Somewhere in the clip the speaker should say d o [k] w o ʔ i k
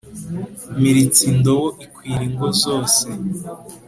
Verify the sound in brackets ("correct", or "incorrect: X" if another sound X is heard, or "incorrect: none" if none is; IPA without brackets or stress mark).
incorrect: none